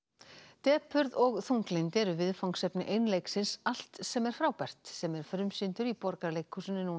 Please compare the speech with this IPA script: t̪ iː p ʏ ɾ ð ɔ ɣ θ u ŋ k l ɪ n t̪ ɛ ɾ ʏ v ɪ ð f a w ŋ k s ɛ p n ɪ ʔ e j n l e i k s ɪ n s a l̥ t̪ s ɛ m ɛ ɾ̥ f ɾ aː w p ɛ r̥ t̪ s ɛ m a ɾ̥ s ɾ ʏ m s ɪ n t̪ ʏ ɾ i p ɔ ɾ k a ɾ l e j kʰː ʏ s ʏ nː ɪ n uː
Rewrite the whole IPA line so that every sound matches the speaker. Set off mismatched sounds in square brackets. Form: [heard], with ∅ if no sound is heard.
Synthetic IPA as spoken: t̪ [ɛː] p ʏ ɾ ð ɔ ɣ θ u ŋ k l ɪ n t̪ ɛ ɾ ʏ v ɪ ð f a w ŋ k s ɛ p n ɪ ʔ e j n l e [j] k s ɪ n s a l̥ t̪ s ɛ m ɛ ɾ̥ f ɾ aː w p ɛ r̥ t̪ s ɛ m [ɛ] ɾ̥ [f] ɾ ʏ m s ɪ n t̪ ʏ ɾ i p ɔ ɾ k a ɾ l e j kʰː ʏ s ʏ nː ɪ n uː